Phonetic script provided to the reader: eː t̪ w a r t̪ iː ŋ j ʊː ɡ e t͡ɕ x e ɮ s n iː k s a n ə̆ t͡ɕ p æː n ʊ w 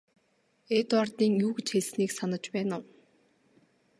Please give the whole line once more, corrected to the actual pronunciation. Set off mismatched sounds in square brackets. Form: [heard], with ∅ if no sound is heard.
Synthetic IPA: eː t̪ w a r t̪ iː ŋ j [uː] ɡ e t͡ɕ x e ɮ s n iː k s a n ə̆ t͡ɕ p æː n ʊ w